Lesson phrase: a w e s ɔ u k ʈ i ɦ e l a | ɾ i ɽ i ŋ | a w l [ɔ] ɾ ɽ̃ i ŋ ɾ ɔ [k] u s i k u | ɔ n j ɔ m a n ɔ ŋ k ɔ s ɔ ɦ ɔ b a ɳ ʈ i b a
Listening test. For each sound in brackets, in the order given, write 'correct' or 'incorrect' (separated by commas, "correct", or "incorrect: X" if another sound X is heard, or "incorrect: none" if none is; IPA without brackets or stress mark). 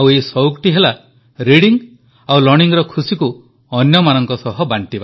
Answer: correct, incorrect: kʰ